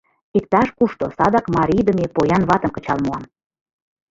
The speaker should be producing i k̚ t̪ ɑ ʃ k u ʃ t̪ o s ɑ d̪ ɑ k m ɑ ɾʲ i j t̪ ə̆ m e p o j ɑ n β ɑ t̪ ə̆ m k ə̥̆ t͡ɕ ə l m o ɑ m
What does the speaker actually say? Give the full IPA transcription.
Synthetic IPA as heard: i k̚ t̪ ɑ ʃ k u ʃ t̪ o s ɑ d̪ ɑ k m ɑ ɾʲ i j d̪ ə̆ m e p o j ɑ n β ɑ t̪ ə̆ m k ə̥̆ t͡ɕ ɑ l m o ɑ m